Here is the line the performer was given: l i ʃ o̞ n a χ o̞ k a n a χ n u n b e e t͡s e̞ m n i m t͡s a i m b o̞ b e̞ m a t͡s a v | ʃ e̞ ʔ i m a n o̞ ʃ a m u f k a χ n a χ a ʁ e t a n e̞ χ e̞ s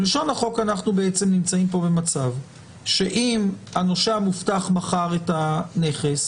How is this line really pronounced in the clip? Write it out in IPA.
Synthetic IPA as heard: l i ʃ o̞ n a χ o̞ k a n a χ n u b e e t͡s e̞ m n i m t͡s a i m p o̞ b e̞ m a t͡s a v | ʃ e̞ ʔ i m a n o̞ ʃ a m u f t a χ m a χ a ʁ e t a n e̞ χ e̞ s